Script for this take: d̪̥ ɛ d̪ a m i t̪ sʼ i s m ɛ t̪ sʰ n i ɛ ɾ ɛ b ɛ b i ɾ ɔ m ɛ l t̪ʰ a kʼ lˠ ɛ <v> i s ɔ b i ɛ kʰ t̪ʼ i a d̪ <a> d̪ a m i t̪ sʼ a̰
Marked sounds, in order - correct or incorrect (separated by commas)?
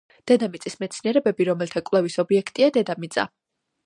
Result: correct, incorrect